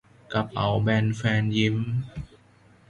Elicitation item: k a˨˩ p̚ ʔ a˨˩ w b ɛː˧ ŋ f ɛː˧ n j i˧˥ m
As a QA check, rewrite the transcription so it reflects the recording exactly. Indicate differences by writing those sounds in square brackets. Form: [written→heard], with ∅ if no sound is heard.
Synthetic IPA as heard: k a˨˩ p̚ ʔ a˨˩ w b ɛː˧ [ŋ→n] f ɛː˧ n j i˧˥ m